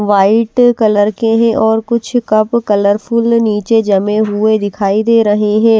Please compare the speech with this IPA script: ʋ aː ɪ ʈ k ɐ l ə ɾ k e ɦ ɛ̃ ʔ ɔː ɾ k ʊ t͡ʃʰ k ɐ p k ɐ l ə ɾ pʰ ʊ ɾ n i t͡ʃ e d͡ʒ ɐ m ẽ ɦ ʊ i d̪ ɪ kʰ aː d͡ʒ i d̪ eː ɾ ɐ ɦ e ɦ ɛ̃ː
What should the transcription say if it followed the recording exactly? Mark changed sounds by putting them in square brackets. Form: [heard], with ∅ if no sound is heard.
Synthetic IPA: ʋ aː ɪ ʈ k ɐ l ə ɾ k e ɦ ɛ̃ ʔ ɔː ɾ k ʊ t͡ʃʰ k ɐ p k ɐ l ə ɾ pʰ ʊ [l] n [iː] t͡ʃ e d͡ʒ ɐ m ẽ ɦ ʊ [e] d̪ ɪ kʰ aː [∅] i d̪ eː ɾ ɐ ɦ e ɦ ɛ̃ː